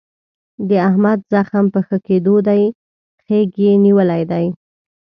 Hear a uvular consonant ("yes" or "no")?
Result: no